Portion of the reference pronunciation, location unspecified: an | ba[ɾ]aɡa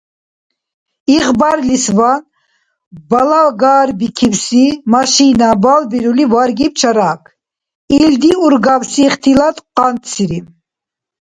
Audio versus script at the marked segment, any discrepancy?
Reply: yes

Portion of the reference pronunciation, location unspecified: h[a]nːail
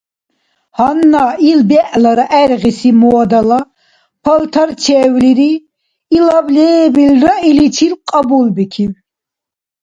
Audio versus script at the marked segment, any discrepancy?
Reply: no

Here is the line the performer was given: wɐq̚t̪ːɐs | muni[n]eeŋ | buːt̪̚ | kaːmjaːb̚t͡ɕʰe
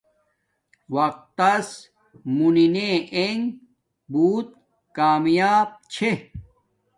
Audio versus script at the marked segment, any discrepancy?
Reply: no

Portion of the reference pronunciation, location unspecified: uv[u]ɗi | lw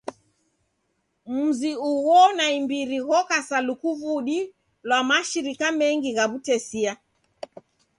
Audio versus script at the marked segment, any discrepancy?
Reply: no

